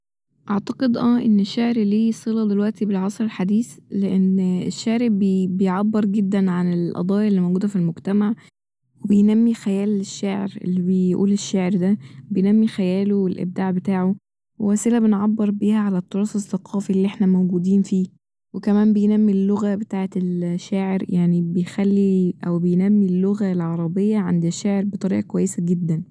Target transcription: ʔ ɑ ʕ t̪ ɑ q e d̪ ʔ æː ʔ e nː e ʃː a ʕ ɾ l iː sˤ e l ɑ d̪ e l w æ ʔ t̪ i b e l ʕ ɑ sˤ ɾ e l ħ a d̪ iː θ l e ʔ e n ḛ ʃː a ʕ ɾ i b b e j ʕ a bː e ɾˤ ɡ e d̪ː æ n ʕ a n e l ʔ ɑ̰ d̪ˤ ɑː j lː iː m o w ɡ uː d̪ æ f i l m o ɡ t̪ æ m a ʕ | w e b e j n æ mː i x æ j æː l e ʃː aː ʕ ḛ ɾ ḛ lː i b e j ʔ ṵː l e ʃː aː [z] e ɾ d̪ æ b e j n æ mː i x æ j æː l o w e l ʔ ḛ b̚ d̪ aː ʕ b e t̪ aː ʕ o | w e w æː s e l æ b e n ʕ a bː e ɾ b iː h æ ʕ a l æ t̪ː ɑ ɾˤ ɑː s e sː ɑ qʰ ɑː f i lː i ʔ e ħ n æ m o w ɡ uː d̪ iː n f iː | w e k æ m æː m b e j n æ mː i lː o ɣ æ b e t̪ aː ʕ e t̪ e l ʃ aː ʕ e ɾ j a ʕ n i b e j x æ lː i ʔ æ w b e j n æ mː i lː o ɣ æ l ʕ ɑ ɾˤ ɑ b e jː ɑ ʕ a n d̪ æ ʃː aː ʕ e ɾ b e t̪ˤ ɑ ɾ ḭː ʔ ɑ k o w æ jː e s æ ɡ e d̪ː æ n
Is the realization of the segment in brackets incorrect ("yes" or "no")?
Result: yes